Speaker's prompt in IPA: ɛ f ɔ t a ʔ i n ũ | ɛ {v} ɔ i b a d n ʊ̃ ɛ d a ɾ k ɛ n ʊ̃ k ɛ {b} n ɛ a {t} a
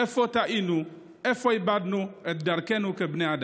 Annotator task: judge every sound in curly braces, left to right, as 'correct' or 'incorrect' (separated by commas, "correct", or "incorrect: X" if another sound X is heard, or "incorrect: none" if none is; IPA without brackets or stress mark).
incorrect: f, correct, incorrect: d